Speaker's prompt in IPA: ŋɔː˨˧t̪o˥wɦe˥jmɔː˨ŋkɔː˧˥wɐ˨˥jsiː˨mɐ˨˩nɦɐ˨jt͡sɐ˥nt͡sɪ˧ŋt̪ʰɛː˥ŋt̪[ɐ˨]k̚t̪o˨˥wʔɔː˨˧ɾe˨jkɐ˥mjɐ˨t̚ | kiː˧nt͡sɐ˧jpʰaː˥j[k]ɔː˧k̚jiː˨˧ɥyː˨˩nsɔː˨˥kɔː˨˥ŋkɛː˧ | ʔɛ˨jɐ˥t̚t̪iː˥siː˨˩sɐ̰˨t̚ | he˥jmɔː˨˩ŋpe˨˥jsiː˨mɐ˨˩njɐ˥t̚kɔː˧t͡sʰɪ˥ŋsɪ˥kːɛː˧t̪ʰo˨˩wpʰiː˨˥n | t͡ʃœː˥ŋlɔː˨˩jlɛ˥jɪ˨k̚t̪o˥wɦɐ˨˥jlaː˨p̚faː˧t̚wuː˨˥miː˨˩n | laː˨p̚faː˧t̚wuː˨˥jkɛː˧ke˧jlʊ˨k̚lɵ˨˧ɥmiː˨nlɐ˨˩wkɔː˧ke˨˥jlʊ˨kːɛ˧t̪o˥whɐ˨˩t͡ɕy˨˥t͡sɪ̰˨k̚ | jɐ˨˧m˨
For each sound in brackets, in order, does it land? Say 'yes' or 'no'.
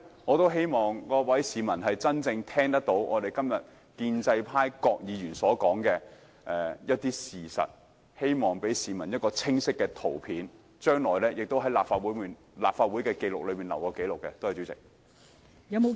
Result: no, yes

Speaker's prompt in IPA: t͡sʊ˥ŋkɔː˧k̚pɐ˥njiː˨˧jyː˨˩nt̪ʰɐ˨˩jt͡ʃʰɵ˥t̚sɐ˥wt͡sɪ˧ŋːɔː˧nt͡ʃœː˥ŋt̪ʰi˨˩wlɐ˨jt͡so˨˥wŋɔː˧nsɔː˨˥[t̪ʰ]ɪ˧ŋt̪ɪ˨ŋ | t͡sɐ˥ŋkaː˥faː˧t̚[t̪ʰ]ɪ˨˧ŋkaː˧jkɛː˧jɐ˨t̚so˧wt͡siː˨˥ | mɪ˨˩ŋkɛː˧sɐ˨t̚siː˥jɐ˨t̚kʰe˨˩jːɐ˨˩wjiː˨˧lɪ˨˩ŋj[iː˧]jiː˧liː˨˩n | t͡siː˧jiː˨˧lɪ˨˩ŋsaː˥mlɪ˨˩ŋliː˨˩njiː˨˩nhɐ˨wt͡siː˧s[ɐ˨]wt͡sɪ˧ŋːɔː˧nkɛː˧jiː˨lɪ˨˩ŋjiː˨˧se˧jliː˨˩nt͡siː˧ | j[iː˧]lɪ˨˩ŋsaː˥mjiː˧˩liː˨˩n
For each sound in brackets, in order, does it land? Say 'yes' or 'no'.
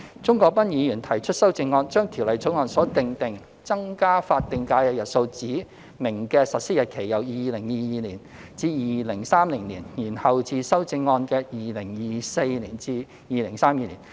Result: no, no, yes, no, yes

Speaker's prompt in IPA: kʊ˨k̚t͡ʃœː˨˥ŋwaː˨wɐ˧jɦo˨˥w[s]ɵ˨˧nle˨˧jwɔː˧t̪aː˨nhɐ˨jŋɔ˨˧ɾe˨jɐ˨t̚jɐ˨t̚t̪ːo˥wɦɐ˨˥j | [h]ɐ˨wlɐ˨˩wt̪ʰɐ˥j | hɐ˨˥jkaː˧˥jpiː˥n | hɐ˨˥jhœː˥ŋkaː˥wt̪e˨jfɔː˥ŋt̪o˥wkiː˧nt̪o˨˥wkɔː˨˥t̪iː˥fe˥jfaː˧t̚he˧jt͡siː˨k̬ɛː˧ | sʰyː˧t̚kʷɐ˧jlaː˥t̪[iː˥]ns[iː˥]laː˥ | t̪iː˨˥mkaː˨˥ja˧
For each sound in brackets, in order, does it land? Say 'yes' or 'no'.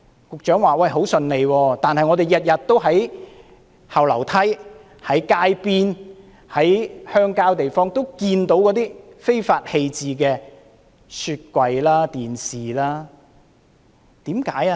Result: yes, yes, no, no

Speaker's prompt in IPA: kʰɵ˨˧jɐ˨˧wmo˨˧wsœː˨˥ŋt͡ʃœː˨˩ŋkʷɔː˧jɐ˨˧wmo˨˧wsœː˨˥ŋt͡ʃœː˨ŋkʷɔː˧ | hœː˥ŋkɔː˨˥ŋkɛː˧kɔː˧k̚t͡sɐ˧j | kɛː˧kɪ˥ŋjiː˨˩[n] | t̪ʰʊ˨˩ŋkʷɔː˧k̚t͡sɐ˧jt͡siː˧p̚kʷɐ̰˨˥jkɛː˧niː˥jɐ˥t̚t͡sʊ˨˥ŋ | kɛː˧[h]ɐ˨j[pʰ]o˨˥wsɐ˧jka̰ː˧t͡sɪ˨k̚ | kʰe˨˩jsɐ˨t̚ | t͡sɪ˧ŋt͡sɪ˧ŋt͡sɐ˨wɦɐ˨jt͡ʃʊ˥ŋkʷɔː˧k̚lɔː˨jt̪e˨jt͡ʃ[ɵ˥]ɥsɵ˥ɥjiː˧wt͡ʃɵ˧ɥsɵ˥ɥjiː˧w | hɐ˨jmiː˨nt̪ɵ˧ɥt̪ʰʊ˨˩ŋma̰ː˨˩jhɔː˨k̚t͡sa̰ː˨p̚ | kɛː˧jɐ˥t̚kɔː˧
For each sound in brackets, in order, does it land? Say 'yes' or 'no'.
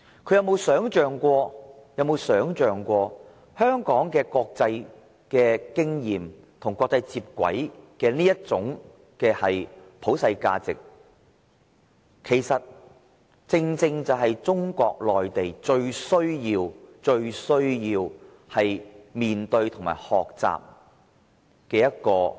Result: no, yes, yes, no

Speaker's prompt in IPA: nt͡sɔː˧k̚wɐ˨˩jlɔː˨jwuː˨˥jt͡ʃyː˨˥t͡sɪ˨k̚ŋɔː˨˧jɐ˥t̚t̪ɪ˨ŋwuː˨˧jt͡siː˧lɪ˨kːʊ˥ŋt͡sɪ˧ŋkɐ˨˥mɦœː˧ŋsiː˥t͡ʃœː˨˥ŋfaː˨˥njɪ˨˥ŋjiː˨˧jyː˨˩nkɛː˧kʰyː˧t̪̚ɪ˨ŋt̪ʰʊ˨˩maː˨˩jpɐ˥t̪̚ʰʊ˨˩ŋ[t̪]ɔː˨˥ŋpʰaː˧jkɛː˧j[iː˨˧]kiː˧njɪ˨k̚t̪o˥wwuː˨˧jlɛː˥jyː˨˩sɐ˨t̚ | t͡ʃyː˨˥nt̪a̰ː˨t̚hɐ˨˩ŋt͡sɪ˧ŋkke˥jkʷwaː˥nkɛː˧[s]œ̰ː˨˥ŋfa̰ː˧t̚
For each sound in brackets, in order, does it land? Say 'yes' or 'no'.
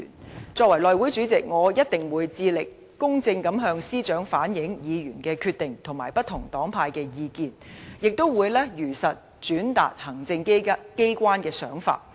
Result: yes, yes, yes

